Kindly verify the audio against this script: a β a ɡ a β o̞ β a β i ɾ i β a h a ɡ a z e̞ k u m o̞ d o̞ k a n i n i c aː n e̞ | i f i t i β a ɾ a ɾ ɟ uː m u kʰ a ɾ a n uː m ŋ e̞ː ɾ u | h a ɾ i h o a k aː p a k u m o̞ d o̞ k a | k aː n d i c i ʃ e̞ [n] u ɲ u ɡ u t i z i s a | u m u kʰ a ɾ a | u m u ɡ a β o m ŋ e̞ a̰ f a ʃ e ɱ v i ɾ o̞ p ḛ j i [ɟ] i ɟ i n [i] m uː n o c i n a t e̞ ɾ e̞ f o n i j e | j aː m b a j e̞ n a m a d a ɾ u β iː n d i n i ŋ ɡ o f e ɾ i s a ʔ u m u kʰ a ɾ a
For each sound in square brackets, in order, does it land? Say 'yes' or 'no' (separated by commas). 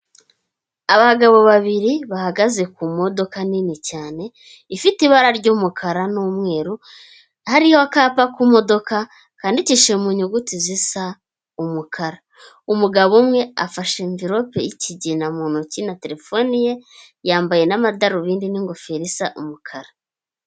no, no, no